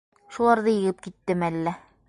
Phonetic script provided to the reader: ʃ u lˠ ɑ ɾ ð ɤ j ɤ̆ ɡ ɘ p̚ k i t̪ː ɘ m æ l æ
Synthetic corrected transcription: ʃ u lˠ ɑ ɾ ð ɤ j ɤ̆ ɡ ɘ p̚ k i t̪ː ɘ m æ lː æ